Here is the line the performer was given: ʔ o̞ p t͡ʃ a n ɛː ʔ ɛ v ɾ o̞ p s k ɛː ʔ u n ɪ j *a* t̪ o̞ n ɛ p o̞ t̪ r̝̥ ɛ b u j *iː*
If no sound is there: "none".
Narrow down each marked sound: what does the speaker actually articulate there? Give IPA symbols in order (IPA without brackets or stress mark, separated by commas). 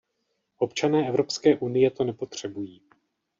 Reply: ɛ, iː